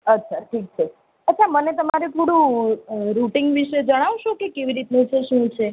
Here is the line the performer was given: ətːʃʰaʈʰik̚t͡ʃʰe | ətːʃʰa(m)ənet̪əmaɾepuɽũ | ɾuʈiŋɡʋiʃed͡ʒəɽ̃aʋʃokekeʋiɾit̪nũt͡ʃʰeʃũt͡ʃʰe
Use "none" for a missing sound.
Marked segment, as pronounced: m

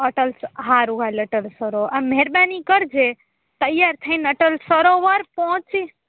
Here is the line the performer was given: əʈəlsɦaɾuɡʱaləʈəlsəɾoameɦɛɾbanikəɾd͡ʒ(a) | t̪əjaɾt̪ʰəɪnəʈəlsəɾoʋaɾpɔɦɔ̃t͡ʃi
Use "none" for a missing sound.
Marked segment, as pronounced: e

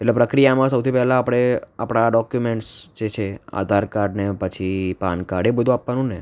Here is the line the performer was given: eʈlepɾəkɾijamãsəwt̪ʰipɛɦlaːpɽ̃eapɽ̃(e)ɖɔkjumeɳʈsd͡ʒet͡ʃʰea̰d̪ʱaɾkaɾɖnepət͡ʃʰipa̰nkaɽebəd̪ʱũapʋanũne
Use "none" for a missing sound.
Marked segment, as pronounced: a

